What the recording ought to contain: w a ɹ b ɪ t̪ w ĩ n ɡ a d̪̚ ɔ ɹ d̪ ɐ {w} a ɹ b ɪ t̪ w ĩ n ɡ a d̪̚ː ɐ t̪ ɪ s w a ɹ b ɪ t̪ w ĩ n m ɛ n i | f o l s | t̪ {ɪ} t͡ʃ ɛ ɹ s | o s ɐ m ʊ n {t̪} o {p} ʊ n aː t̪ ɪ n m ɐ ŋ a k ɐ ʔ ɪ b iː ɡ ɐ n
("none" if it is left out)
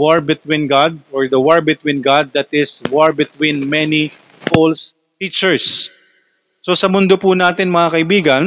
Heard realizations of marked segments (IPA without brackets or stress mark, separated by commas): w, i, d̪, p